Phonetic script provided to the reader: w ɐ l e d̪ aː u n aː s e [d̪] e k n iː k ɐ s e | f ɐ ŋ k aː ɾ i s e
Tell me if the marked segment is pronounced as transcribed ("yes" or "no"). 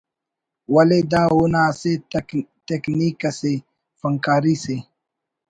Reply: no